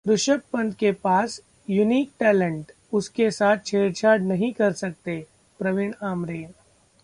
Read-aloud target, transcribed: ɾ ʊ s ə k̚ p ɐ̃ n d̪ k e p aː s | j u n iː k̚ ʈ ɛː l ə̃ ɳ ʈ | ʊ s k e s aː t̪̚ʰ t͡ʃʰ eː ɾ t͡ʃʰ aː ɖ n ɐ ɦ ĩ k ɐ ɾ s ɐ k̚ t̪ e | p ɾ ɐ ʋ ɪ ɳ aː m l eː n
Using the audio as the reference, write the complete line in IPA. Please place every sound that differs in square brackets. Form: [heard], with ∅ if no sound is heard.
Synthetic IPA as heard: ɾ ʊ [ʃ] ə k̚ p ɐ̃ n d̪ k e p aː s | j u n iː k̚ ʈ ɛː l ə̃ ɳ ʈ | ʊ s k e s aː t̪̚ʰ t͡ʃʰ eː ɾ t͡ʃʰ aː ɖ n ɐ ɦ ĩ k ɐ ɾ s ɐ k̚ t̪ e | p ɾ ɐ ʋ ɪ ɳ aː m [ɾ] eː n